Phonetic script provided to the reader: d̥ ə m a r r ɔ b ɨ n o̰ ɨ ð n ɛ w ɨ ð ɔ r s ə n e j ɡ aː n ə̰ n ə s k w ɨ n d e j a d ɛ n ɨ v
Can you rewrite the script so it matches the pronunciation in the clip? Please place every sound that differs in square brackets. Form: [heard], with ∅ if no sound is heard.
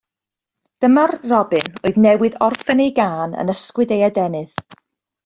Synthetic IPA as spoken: d̥ ə m a r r ɔ b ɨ n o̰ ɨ ð n ɛ w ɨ ð ɔ r [f] ə n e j ɡ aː n ə̰ n ə s k w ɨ [∅] d e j a d ɛ n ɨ [ð]